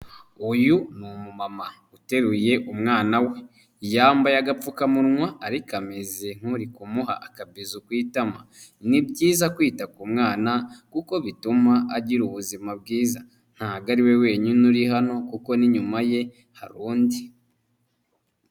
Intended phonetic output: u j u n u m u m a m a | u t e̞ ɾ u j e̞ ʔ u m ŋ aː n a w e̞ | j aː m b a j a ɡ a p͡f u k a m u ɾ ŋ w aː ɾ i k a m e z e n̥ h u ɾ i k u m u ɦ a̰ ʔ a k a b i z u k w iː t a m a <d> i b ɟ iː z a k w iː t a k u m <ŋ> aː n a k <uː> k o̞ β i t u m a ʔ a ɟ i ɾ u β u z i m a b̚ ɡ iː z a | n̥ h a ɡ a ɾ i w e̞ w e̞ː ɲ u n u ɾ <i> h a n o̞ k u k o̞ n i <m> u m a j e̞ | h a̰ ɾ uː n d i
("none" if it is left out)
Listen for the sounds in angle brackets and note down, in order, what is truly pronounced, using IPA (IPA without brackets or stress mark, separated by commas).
n, ŋ, u, i, ɲ